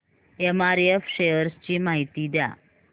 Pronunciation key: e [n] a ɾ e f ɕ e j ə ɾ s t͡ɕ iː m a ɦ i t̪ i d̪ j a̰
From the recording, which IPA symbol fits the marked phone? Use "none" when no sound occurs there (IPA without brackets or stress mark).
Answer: m